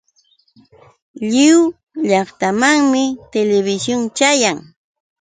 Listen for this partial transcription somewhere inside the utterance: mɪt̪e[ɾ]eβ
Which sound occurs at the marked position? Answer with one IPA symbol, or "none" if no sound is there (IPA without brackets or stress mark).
l